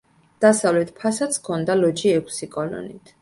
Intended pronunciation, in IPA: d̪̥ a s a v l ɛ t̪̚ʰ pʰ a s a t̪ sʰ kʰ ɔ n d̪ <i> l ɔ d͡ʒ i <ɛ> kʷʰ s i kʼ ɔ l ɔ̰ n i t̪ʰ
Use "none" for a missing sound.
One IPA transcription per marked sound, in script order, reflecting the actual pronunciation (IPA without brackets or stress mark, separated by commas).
a, ɛ